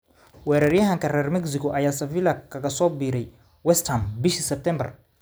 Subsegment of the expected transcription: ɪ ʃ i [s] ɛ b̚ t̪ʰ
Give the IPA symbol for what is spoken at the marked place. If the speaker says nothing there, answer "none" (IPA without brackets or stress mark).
s